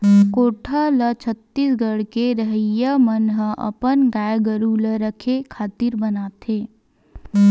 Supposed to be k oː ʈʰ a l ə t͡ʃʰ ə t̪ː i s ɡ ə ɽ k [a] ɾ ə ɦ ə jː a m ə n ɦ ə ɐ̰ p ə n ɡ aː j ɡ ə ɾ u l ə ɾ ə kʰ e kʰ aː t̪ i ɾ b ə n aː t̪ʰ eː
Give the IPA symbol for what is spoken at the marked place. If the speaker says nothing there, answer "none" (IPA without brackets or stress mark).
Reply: e